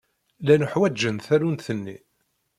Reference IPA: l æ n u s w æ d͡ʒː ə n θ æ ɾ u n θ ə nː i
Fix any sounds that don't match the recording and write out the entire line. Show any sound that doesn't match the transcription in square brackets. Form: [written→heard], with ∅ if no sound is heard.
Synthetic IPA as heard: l æ n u [s→ħ] w æ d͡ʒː ə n θ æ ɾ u n θ ə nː i